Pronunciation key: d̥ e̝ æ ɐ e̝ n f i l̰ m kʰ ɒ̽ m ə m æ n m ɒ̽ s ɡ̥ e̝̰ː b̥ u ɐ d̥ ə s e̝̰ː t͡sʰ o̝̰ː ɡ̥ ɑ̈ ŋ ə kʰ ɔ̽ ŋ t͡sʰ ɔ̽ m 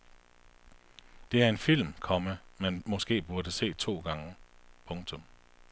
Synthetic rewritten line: d̥ e̝ æ ɐ e̝ n f i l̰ m kʰ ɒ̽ m ə m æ n m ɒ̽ s ɡ̥ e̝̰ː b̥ u ɐ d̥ ə s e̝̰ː t͡sʰ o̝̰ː ɡ̥ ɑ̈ ŋ ə pʰ ɔ̽ ŋ t͡sʰ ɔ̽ m